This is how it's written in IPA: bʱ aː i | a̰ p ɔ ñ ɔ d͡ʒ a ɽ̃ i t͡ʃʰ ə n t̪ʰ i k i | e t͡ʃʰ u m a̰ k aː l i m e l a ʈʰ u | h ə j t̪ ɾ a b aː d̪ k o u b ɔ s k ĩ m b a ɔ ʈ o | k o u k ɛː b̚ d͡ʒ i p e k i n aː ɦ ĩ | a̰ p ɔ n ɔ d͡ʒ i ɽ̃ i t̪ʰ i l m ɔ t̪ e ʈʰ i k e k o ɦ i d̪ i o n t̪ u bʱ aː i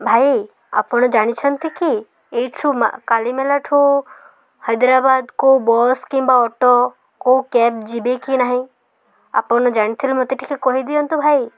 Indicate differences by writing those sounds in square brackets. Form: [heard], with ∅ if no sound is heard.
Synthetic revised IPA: bʱ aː i | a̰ p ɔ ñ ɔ d͡ʒ a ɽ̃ i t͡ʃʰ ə n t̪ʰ i k i | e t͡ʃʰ u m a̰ k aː l i m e l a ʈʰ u | h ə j [d̪] ɾ a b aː d̪ k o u b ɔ s k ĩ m b a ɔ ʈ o | k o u k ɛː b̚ d͡ʒ i [b] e k i n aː ɦ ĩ | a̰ p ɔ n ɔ d͡ʒ [a] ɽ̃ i t̪ʰ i l m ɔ t̪ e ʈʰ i k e k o ɦ i d̪ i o n t̪ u bʱ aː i